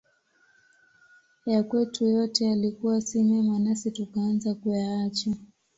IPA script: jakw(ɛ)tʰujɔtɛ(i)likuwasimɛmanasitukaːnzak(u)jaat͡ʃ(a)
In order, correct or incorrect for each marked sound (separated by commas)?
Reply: correct, incorrect, correct, correct